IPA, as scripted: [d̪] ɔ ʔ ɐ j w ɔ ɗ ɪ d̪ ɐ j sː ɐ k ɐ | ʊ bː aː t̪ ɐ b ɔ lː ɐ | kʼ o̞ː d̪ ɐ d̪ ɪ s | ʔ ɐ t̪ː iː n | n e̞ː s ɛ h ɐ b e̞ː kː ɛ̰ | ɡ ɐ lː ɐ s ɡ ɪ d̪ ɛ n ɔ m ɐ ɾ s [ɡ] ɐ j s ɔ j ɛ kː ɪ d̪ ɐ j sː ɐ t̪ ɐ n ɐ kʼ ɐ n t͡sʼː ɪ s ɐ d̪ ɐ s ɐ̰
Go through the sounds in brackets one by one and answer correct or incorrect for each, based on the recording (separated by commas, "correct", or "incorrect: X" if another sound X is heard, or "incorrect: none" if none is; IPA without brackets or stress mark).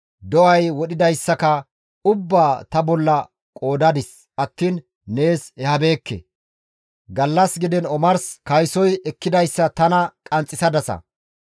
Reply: correct, incorrect: k